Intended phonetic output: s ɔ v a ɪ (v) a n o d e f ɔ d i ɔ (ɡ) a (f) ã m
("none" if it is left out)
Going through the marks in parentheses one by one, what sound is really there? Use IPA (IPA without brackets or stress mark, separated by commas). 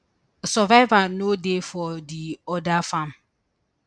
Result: v, d, f